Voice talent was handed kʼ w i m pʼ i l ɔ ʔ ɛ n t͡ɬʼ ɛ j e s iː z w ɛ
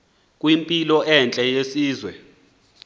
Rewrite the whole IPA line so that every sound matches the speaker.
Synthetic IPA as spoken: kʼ w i m pʼ i l ɔ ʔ ɛ n t͡ɬʼ ɛ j e s iː z w ɛ